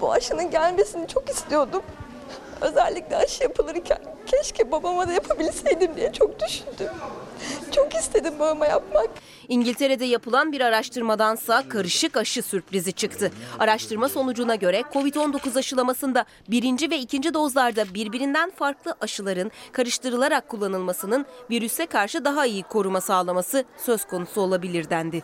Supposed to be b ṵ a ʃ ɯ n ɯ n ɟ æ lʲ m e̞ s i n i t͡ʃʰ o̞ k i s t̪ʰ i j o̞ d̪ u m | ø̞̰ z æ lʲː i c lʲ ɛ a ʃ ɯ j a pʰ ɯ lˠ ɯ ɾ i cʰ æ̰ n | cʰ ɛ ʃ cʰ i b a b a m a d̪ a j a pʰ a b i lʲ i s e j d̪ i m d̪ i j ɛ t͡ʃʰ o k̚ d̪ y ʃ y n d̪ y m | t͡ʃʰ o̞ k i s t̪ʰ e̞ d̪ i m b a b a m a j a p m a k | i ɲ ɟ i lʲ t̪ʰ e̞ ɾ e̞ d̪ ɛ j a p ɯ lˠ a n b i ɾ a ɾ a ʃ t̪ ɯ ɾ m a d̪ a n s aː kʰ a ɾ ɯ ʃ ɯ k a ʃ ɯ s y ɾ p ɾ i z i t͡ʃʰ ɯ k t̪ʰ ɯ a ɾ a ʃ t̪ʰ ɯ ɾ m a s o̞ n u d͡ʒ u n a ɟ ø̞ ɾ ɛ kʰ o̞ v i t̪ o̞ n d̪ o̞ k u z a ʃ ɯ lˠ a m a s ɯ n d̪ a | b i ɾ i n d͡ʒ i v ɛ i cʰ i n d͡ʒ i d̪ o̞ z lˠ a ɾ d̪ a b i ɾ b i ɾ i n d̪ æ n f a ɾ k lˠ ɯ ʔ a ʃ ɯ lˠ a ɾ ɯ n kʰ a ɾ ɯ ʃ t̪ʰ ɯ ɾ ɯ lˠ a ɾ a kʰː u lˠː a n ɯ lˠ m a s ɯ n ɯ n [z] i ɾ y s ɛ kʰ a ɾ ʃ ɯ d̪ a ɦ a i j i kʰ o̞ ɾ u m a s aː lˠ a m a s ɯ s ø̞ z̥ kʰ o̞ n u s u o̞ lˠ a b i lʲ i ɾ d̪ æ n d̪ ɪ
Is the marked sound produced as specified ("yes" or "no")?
no